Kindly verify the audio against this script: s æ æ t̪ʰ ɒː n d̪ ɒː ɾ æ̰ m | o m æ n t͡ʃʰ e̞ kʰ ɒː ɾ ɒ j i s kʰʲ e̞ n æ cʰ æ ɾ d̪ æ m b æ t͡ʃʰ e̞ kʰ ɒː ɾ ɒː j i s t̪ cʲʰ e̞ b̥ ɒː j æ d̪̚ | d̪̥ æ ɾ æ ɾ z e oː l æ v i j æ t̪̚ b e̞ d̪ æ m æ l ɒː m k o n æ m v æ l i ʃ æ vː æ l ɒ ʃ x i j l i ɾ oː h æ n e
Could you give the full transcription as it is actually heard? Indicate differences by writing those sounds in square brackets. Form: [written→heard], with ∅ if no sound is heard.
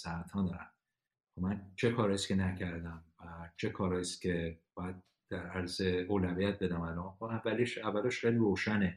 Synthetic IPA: s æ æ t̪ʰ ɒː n d̪ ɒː ɾ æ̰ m | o m æ n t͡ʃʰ e̞ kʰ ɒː ɾ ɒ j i s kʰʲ e̞ n æ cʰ æ ɾ d̪ æ m [b→v] æ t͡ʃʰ e̞ kʰ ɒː ɾ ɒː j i s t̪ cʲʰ e̞ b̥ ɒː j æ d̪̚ | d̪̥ æ ɾ æ ɾ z e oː l æ v i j æ t̪̚ b e̞ d̪ æ m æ l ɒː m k o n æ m v æ l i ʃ æ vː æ l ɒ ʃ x [i→e] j l i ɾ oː [h→ʃ] æ n e